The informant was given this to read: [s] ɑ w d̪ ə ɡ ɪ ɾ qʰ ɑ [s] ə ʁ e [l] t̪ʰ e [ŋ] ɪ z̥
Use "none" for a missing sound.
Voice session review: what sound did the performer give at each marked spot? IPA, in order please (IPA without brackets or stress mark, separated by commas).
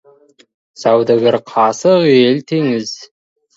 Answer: s, s, l, ŋ